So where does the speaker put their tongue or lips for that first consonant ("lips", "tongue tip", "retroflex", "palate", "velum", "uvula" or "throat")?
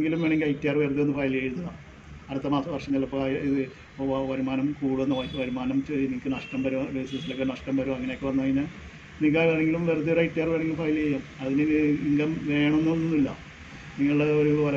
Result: velum